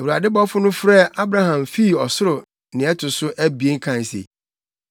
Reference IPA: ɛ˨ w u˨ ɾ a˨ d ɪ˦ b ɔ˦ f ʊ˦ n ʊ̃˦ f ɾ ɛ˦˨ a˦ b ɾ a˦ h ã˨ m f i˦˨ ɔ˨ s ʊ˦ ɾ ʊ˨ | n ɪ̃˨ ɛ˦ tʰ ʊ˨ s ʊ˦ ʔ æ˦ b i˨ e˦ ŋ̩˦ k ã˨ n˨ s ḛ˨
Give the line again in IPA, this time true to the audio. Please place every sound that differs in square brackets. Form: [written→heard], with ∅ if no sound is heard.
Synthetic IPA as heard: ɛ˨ w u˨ ɾ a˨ d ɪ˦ b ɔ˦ f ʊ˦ n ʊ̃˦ f ɾ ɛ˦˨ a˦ b ɾ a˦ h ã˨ m f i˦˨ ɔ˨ s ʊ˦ ɾ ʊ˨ | n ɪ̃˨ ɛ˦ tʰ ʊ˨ s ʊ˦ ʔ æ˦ b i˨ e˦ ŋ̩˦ [k→kʰ] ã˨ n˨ s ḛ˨